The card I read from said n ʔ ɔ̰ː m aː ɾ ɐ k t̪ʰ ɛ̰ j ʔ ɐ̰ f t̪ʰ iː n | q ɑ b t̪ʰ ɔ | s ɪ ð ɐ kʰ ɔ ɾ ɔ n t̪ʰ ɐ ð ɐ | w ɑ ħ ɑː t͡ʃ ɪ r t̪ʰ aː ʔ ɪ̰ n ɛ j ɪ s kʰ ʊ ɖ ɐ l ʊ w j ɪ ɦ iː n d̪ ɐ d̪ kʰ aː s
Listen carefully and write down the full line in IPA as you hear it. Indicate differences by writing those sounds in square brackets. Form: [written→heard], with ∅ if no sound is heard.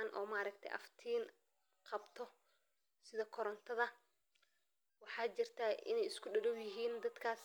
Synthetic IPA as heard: n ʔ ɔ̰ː m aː ɾ ɐ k t̪ʰ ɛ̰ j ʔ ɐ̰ f t̪ʰ iː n | q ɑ b t̪ʰ ɔ | s ɪ ð ɐ kʰ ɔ ɾ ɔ n t̪ʰ ɐ ð ɐ | w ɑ ħ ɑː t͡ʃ ɪ r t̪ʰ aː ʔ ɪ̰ n ɛ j ɪ s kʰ ʊ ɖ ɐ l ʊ w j ɪ ɦ iː n d̪ ɐ d̪ kʰ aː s

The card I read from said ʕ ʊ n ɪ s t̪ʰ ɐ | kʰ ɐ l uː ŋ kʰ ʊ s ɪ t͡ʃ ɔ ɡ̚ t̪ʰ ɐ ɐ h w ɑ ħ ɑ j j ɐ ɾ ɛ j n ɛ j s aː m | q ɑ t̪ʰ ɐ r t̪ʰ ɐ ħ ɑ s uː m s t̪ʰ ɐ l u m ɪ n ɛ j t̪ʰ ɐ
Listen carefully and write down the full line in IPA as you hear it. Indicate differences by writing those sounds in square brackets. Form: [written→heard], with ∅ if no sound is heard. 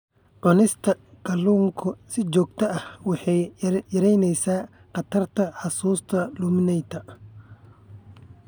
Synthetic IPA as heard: ʕ ʊ n ɪ s t̪ʰ ɐ | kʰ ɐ l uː ŋ kʰ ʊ s ɪ t͡ʃ [ɔ→ɔː] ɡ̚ t̪ʰ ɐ ɐ h w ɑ ħ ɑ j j ɐ ɾ ɛ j n ɛ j s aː [m→∅] | q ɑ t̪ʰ ɐ r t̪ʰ ɐ ħ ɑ s uː [m→∅] s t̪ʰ ɐ l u m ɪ n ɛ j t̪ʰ ɐ

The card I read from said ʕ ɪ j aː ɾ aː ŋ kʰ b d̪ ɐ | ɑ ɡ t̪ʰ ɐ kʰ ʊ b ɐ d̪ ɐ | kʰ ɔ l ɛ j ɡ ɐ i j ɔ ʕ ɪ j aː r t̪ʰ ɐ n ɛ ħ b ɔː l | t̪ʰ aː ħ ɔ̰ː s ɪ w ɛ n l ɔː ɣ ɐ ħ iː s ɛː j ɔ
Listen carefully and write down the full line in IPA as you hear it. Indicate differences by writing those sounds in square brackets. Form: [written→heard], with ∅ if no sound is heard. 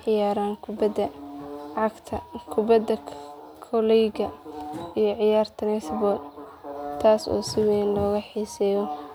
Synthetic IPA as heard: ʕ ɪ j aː ɾ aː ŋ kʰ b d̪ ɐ | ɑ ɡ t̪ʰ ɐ kʰ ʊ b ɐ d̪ ɐ | kʰ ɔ l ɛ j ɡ ɐ i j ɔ ʕ ɪ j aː r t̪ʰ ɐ n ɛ [ħ→s] b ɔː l | t̪ʰ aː [ħ→s] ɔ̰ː s ɪ w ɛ n l ɔː ɣ ɐ ħ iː s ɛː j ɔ

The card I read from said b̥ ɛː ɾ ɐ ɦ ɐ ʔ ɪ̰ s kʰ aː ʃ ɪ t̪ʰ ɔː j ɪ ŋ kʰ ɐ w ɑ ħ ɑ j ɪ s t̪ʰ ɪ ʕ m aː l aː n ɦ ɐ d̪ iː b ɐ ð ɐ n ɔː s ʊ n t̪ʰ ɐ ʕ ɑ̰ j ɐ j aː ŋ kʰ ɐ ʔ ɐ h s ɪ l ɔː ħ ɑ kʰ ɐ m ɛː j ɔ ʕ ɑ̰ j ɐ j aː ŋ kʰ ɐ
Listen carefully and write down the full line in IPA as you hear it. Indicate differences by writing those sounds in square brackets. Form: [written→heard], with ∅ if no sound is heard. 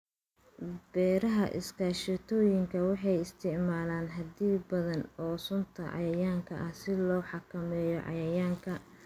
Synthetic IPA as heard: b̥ ɛː ɾ ɐ ɦ ɐ ʔ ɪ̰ s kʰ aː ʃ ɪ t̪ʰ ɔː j ɪ ŋ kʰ ɐ w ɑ ħ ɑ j ɪ s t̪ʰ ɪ ʕ m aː l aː n ɦ ɐ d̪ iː b ɐ ð ɐ n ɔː s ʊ n t̪ʰ ɐ ʕ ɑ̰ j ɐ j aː ŋ kʰ ɐ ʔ ɐ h s ɪ l ɔː ħ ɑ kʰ ɐ m ɛː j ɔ ʕ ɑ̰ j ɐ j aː ŋ kʰ ɐ

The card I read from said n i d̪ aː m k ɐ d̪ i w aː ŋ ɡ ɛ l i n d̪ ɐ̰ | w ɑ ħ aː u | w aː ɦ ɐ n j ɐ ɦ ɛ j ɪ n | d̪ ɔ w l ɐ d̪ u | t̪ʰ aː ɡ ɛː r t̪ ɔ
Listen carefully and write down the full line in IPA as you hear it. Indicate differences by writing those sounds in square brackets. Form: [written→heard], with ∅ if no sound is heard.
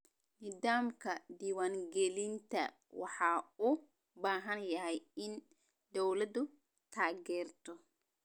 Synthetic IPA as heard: n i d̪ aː m k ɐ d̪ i w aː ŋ ɡ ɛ l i n [d̪→t̪] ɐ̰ | w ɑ ħ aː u | [w→b] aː ɦ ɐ n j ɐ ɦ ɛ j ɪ n | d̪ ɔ w l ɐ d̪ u | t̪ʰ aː ɡ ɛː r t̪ ɔ

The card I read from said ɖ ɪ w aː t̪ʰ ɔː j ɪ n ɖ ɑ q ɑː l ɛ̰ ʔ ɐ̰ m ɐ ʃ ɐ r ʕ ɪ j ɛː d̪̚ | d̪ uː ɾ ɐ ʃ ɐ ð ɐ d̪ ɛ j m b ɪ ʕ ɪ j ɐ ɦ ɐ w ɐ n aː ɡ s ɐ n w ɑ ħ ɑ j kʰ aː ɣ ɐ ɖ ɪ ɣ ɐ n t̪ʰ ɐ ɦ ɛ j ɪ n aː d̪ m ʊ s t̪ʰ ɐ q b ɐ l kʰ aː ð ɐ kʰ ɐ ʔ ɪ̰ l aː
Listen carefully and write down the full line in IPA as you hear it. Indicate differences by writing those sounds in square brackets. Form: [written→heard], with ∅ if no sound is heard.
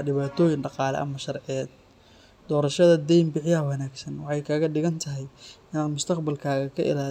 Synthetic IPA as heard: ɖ ɪ [w→β] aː t̪ʰ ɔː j ɪ n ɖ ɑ q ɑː l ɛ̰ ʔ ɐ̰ m ɐ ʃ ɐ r ʕ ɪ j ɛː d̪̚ | d̪ [uː→ɔː] ɾ ɐ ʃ ɐ ð ɐ d̪ ɛ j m b ɪ ʕ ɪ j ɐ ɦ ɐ w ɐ n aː ɡ s ɐ n w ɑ ħ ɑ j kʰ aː ɣ ɐ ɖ ɪ ɣ ɐ n t̪ʰ ɐ ɦ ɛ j ɪ n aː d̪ m ʊ s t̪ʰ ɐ q b ɐ l kʰ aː [ð→ɣ] ɐ kʰ ɐ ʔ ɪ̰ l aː

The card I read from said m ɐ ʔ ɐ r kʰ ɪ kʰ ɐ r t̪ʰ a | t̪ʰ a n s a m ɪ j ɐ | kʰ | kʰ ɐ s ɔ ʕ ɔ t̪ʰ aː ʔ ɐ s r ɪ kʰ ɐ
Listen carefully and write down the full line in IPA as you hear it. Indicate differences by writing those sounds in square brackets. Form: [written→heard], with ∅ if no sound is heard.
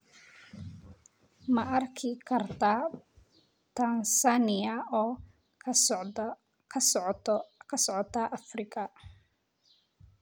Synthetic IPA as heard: m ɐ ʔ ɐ r kʰ ɪ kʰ ɐ r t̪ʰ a | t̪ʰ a n s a [m→n] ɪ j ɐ | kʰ | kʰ ɐ s ɔ ʕ ɔ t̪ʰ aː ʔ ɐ [s→f] r ɪ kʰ ɐ

